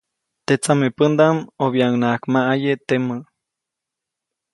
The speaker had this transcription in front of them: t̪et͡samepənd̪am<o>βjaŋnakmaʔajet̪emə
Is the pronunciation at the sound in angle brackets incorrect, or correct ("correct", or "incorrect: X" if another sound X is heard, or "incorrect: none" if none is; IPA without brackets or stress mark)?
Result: correct